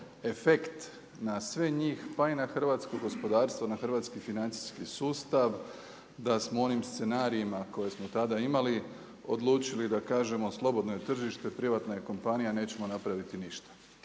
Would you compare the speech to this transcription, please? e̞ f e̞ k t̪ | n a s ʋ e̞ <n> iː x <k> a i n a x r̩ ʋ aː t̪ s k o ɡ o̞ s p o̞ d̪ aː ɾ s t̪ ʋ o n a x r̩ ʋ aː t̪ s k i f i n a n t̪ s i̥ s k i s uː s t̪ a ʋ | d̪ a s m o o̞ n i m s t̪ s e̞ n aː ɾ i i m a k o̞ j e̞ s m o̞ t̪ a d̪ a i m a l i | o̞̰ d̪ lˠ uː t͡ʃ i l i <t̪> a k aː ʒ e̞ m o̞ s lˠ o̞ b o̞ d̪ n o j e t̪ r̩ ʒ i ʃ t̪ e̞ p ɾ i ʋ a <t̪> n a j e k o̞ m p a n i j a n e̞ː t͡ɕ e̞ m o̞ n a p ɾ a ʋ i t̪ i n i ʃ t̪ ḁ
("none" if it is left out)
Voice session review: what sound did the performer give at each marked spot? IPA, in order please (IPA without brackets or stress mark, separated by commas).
ɲ, p, d̪, t̪